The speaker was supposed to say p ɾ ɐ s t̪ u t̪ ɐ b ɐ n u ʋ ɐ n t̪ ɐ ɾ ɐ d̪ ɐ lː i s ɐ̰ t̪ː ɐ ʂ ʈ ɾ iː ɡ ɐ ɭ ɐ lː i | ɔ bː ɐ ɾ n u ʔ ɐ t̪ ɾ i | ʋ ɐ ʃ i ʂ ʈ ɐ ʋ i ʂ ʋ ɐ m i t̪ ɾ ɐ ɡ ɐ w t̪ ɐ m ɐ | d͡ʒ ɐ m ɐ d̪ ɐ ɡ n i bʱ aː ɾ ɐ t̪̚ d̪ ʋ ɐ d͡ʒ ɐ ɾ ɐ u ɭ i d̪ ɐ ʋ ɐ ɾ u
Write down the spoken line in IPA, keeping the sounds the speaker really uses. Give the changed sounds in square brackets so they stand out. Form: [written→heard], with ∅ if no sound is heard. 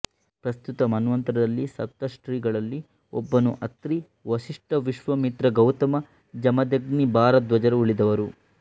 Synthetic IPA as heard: p ɾ ɐ s t̪ u t̪ ɐ [b→m] ɐ n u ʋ ɐ n t̪ ɐ ɾ ɐ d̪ ɐ lː i s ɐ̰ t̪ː ɐ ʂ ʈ ɾ iː ɡ ɐ ɭ ɐ lː i | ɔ bː ɐ [ɾ→∅] n u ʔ ɐ t̪ ɾ i | ʋ ɐ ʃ i ʂ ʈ ɐ ʋ i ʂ ʋ ɐ m i t̪ ɾ ɐ ɡ ɐ w t̪ ɐ m ɐ | d͡ʒ ɐ m ɐ d̪ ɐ ɡ n i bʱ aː ɾ ɐ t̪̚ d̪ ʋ ɐ d͡ʒ ɐ ɾ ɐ u ɭ i d̪ ɐ ʋ ɐ ɾ u